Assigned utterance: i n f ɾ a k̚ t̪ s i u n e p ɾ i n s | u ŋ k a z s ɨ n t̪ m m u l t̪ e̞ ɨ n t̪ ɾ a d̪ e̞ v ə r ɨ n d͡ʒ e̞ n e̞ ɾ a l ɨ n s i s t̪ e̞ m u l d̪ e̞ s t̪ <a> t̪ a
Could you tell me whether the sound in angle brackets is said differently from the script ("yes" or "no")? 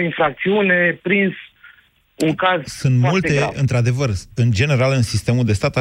no